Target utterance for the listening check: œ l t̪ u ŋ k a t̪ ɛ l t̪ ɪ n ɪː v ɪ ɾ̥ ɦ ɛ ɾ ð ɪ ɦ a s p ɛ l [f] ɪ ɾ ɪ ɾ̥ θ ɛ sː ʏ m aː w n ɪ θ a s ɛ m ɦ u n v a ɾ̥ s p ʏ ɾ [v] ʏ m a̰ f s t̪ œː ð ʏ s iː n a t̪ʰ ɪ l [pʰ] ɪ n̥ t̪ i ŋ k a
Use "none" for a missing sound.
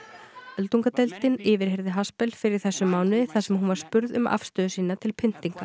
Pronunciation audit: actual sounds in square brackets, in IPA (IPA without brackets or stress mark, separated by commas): f, ð, pʰ